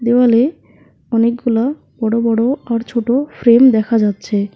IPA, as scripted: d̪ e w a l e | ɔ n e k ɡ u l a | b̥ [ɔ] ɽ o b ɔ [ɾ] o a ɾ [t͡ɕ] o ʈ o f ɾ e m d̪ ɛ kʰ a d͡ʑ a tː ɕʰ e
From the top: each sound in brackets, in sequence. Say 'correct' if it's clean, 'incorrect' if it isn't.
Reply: correct, incorrect, incorrect

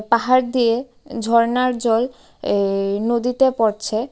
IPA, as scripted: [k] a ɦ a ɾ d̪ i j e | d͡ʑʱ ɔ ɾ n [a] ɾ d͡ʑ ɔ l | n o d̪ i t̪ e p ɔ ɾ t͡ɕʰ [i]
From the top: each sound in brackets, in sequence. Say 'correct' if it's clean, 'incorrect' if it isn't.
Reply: incorrect, correct, incorrect

